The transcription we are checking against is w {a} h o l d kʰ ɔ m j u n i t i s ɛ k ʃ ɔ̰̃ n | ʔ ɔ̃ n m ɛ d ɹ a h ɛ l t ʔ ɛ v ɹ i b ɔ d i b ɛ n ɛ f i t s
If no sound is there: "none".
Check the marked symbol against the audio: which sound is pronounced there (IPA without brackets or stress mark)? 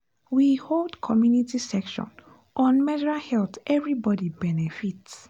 i